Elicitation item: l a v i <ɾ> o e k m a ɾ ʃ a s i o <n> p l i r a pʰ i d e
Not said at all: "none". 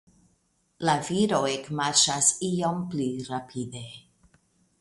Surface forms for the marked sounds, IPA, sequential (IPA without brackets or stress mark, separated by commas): ɾ, m